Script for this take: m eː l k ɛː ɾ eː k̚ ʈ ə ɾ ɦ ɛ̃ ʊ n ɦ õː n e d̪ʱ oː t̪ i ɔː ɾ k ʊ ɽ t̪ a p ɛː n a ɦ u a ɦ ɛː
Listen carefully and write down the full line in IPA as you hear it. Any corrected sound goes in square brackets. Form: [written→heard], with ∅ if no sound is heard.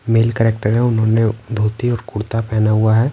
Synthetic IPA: m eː l k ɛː ɾ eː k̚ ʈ ə ɾ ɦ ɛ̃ ʊ n ɦ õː n e d̪ʱ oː t̪ i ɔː ɾ k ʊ ɽ t̪ a p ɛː n a ɦ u a ɦ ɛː

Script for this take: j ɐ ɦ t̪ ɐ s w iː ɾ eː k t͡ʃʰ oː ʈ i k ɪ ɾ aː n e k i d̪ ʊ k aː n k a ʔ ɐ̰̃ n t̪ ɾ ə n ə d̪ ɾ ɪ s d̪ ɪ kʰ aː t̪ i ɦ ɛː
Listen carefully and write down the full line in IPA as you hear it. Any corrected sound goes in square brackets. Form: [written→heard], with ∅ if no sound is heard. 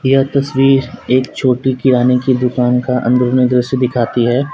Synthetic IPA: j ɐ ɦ t̪ ɐ s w iː ɾ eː k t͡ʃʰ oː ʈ i k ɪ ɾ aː n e k i d̪ ʊ k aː n k a ʔ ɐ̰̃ n [t̪→d̪] ɾ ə n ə d̪ ɾ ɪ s d̪ ɪ kʰ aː t̪ i ɦ ɛː

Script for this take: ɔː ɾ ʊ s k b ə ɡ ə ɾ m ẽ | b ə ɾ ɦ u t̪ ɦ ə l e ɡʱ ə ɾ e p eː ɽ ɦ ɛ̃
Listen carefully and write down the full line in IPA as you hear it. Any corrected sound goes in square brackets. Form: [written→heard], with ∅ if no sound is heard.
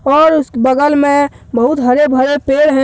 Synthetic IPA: ɔː ɾ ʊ s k b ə ɡ ə [ɾ→l] m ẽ | b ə [ɾ→∅] ɦ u t̪ ɦ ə [l→ɾ] e [ɡʱ→bʱ] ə ɾ e p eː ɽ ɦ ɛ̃

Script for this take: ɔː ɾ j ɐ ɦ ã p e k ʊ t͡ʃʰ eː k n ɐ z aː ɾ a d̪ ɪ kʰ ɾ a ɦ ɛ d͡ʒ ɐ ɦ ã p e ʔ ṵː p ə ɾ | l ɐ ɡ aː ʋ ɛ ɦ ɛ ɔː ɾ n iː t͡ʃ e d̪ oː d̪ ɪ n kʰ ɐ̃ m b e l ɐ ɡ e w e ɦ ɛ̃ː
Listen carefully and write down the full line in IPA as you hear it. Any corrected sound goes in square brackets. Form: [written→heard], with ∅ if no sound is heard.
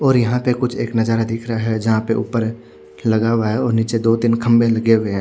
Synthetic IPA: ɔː ɾ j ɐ ɦ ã p e k ʊ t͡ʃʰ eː k n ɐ z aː ɾ a d̪ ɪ kʰ ɾ a ɦ ɛ d͡ʒ ɐ ɦ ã p e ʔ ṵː p ə ɾ | l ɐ ɡ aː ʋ [ɛ→a] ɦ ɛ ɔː ɾ n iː t͡ʃ e d̪ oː d̪ ɪ n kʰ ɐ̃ m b e l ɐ ɡ e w e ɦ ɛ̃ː

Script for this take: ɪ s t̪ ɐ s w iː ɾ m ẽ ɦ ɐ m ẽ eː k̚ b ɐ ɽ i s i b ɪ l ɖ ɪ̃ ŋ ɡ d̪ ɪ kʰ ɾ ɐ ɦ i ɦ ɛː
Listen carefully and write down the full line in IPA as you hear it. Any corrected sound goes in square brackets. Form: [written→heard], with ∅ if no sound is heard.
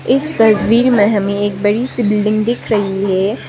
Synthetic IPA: ɪ s t̪ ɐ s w iː ɾ m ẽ ɦ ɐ m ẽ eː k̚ b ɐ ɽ i s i b ɪ l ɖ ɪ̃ ŋ ɡ d̪ ɪ kʰ ɾ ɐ ɦ i ɦ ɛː

